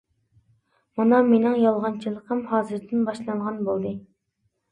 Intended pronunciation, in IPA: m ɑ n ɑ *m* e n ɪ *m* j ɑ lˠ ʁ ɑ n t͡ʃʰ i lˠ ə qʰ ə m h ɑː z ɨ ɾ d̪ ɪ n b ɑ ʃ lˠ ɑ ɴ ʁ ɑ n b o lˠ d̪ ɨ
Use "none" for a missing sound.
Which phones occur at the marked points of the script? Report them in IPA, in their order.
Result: m, ŋ

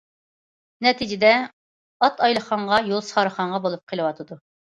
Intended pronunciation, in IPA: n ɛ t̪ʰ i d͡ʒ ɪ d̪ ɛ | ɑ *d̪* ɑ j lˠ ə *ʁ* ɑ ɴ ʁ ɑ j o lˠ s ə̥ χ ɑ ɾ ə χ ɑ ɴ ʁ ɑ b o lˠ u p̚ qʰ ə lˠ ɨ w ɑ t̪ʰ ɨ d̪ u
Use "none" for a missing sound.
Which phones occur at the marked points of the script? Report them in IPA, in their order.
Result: t̪, χ

